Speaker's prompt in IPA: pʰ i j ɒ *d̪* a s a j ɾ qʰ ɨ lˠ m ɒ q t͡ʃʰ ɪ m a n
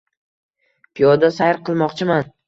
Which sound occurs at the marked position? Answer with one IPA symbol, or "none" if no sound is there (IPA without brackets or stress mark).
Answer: d̪